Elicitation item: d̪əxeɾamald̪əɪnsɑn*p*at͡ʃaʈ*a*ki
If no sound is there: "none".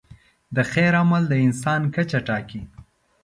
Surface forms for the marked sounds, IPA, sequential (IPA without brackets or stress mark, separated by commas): k, ɑ